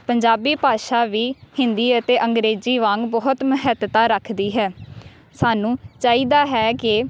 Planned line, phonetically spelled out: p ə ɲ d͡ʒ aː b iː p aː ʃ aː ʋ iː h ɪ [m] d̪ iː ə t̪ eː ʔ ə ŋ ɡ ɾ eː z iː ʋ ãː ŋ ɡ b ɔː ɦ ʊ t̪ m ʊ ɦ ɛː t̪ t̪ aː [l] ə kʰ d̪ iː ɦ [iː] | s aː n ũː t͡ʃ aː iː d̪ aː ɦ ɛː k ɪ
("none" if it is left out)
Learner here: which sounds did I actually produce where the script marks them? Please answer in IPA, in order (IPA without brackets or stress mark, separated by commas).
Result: n, ɾ, ɛː